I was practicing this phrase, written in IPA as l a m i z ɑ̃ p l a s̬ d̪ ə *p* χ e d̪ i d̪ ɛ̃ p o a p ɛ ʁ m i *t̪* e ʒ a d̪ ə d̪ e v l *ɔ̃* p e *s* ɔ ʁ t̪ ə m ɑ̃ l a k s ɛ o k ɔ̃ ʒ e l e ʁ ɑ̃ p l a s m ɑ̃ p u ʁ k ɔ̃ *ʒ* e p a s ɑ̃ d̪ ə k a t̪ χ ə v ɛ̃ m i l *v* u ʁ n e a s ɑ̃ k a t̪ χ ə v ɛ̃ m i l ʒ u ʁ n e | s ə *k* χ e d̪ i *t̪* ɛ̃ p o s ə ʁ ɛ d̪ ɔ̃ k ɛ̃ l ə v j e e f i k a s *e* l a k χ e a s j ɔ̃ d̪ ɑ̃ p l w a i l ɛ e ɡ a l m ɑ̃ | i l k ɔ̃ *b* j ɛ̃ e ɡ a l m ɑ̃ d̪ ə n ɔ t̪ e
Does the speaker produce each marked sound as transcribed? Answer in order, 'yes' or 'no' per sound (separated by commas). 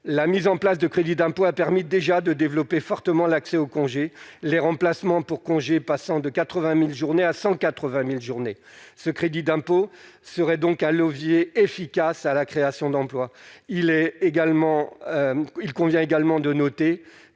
no, no, no, no, yes, no, yes, no, no, no